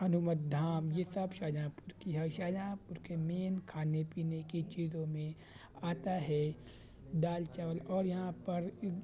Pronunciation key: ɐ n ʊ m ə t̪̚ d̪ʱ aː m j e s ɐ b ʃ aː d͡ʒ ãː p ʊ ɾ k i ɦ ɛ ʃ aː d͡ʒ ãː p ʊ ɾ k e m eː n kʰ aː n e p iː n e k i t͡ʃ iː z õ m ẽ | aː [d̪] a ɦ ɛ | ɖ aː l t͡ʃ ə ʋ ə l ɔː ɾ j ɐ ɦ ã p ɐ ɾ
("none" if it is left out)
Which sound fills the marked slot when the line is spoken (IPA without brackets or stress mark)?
t̪